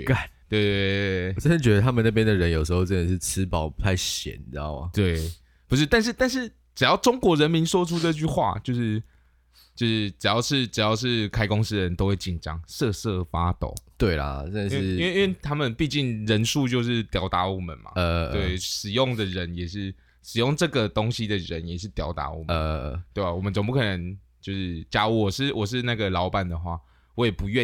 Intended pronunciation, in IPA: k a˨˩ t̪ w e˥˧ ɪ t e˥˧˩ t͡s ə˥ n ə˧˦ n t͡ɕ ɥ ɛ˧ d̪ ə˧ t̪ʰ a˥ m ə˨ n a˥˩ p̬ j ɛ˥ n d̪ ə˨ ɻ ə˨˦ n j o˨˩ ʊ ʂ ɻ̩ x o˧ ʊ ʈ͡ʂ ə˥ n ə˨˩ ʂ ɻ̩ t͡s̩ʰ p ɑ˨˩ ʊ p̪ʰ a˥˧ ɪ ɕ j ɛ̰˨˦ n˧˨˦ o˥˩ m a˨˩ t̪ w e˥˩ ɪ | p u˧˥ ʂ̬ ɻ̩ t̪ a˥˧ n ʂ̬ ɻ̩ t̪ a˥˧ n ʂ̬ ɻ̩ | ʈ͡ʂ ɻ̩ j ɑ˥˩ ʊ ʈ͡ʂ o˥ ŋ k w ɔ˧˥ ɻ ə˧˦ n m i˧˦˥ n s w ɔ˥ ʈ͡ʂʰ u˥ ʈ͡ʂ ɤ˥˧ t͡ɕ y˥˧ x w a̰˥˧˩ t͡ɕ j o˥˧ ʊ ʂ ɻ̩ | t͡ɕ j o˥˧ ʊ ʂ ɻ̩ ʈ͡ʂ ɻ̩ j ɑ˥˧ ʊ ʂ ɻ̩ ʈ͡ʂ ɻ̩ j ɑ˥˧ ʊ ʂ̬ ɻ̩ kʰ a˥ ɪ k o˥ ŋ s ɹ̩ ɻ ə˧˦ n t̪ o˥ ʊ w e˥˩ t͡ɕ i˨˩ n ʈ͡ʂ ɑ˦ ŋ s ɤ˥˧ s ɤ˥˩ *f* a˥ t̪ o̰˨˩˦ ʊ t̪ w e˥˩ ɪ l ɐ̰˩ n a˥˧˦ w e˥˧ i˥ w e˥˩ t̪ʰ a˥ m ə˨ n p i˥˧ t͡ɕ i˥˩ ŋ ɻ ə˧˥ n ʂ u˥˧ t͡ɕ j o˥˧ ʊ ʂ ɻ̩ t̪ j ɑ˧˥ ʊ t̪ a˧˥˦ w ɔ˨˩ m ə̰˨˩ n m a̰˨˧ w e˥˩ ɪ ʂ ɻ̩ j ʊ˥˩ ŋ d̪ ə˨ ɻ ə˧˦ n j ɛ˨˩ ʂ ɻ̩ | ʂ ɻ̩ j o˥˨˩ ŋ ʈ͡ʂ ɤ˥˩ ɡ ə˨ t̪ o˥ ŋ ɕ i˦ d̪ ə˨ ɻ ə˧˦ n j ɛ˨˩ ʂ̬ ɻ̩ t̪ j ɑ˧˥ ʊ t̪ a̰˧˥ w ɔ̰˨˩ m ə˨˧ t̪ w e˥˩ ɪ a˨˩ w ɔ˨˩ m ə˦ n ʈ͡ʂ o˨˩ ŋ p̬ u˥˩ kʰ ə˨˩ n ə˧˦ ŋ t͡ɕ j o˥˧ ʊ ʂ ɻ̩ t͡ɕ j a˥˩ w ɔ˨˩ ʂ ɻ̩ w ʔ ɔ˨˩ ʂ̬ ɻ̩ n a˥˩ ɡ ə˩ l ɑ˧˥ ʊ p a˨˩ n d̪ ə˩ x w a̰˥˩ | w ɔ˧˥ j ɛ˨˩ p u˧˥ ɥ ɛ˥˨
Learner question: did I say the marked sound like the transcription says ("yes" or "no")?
yes